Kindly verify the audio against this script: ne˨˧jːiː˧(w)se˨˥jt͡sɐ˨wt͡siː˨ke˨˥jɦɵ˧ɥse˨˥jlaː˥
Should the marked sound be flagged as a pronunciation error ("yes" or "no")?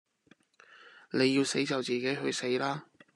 no